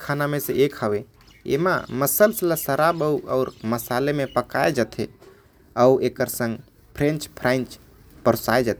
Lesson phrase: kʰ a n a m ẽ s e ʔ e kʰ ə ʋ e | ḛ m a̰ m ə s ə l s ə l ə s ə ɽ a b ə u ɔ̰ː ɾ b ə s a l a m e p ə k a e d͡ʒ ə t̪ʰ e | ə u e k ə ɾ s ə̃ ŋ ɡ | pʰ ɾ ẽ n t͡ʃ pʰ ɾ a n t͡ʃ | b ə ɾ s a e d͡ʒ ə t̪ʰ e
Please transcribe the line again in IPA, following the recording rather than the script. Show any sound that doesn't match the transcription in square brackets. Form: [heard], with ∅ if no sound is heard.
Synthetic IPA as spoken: kʰ a n a m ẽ s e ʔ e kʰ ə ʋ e | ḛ m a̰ m ə s ə l s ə l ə s ə [ɾ] a b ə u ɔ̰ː ɾ [m] ə s a l [e] m e p ə k a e d͡ʒ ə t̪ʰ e | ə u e k ə ɾ s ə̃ ŋ ɡ | pʰ ɾ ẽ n t͡ʃ pʰ ɾ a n t͡ʃ | [p] ə ɾ s a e d͡ʒ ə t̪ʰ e